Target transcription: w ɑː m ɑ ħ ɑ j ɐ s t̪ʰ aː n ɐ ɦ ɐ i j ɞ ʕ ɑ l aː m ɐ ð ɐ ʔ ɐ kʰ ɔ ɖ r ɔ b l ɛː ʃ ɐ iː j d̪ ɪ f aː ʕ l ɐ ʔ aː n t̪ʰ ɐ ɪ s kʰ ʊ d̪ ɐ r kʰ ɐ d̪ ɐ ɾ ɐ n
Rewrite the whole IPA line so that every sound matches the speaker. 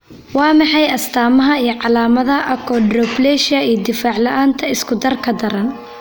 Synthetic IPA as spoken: w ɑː m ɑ ħ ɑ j ɐ s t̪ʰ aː m ɐ ɦ ɐ i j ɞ ʕ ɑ l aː m ɐ ð ɐ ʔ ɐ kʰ ɔ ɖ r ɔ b l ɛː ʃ ɐ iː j d̪ ɪ f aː ʕ l ɐ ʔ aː n t̪ʰ ɐ ɪ s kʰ ʊ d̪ ɐ r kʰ ɐ d̪ ɐ ɾ ɐ n